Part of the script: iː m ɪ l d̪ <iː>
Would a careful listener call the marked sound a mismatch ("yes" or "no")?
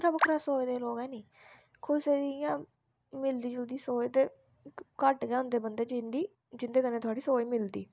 no